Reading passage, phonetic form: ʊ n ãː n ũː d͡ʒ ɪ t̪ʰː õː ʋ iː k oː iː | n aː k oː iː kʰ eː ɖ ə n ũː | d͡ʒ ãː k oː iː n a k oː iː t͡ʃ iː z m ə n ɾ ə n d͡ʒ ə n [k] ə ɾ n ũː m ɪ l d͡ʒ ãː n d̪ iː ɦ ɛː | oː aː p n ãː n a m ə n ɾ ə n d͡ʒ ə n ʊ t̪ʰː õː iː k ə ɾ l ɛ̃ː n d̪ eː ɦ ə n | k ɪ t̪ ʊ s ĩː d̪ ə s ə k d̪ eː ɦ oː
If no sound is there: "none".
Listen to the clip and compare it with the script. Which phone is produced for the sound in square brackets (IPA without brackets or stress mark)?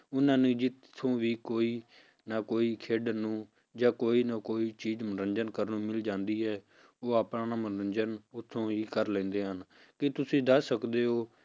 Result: k